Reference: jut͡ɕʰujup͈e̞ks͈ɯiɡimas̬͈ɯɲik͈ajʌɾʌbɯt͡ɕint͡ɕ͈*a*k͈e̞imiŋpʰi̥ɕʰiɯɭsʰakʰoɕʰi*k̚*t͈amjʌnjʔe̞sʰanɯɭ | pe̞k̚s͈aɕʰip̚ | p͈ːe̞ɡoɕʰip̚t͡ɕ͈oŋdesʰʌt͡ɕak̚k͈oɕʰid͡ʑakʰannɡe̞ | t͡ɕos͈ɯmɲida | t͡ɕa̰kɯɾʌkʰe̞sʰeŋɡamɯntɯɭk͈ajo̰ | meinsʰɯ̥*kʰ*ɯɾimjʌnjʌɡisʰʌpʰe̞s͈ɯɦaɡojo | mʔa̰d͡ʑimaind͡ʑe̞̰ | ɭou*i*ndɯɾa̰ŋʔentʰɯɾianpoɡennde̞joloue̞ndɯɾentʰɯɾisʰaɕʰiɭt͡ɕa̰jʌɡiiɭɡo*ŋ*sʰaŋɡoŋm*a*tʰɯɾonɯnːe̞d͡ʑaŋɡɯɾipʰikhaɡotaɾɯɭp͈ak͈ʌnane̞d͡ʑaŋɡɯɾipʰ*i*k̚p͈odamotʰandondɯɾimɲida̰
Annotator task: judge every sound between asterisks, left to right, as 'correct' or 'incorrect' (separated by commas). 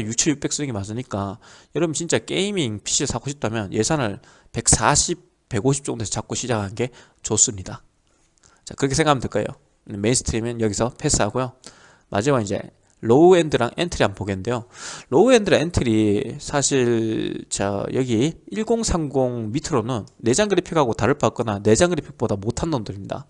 correct, incorrect, incorrect, incorrect, correct, incorrect, correct